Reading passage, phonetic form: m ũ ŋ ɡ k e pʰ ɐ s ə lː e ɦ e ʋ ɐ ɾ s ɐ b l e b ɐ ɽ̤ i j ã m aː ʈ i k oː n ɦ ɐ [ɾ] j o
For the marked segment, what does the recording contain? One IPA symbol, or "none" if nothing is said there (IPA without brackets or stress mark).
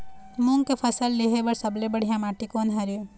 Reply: ɾ